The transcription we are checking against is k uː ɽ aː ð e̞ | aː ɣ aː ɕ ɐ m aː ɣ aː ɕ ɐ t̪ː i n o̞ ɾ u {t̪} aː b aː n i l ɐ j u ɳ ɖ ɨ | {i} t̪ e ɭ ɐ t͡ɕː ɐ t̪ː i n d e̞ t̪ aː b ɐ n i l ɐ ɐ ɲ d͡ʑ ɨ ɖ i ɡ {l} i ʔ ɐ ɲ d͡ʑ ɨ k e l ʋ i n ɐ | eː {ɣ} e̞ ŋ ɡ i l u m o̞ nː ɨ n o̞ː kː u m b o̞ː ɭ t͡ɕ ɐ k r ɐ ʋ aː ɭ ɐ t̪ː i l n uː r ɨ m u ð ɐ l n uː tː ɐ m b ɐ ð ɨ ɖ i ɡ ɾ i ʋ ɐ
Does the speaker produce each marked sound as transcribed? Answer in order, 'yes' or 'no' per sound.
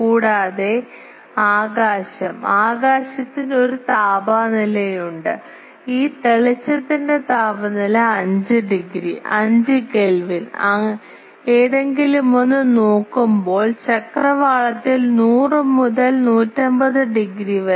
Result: yes, no, no, no

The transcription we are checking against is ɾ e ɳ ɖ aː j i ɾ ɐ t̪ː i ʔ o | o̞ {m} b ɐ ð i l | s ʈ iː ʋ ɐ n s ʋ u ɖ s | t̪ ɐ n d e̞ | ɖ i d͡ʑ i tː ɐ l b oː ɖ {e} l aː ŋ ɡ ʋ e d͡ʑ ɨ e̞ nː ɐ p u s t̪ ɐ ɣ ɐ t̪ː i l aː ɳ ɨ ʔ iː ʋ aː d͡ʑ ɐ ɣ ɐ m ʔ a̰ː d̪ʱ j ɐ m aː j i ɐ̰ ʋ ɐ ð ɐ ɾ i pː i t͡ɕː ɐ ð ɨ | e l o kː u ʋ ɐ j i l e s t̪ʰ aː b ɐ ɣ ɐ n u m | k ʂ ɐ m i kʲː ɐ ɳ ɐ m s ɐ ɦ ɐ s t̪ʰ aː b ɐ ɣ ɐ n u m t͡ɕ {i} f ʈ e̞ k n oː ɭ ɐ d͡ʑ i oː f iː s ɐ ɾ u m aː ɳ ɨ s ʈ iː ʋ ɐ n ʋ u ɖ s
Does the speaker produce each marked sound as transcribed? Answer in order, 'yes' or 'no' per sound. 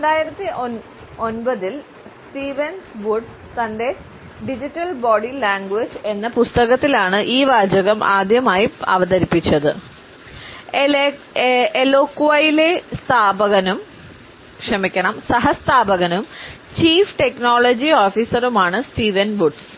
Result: no, no, no

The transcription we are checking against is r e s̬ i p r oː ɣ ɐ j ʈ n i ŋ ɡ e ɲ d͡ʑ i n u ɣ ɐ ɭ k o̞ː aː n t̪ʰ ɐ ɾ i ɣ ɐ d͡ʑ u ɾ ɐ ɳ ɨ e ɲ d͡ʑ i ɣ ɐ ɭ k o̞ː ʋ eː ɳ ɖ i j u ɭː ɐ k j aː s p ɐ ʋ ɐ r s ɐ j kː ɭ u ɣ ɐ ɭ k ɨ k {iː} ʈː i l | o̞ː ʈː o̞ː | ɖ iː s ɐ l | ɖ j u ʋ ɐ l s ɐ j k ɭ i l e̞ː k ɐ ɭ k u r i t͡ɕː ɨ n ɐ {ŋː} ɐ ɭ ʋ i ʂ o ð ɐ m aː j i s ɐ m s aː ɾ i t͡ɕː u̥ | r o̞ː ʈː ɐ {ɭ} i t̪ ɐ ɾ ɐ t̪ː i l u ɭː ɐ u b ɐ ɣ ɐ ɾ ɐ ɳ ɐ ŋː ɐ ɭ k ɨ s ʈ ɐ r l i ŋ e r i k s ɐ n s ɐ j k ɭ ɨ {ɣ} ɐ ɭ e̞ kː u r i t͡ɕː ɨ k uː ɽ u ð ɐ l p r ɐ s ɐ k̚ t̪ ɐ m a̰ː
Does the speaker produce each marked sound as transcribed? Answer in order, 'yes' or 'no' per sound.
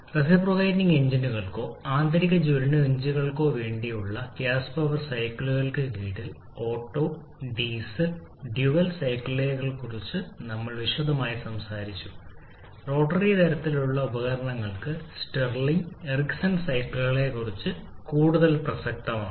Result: yes, no, no, yes

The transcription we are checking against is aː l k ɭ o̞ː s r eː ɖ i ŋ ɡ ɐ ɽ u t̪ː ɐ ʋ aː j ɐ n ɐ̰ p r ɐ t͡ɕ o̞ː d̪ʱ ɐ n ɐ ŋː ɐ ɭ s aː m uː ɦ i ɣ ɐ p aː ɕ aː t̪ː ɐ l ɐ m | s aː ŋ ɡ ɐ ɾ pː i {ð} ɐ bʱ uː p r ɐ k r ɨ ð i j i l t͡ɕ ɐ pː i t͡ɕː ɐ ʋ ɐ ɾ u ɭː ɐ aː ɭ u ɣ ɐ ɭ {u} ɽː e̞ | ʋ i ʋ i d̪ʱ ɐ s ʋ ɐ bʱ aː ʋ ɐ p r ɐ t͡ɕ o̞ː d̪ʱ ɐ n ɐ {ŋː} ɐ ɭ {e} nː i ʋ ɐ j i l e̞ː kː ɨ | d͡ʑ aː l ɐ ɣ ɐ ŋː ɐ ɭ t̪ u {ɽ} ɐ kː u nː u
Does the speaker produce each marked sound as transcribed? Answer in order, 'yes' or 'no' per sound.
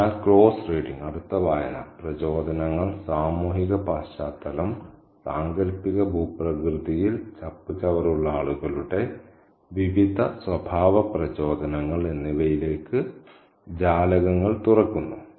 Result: no, yes, yes, yes, no

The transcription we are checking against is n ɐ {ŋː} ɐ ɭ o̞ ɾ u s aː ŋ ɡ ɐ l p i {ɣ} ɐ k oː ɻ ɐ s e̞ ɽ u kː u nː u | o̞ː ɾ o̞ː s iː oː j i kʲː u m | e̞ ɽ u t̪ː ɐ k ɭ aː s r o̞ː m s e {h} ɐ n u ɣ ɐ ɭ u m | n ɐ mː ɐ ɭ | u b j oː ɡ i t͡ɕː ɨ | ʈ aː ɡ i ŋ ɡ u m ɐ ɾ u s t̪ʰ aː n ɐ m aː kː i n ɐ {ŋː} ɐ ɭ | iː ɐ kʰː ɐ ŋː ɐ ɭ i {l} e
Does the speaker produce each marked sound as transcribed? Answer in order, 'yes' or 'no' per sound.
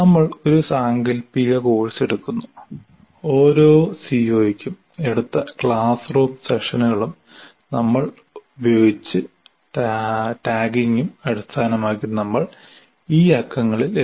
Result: no, yes, no, no, yes

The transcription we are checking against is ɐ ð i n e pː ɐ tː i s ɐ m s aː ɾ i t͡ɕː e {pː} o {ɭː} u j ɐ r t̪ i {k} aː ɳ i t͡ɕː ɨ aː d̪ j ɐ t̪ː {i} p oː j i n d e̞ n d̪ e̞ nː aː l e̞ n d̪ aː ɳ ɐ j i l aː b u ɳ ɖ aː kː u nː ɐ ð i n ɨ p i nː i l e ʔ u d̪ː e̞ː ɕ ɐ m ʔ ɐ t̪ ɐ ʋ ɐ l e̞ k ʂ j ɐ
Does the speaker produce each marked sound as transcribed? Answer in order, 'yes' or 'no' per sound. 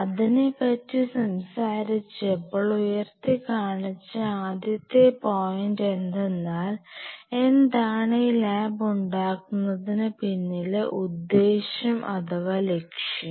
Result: yes, no, yes, no

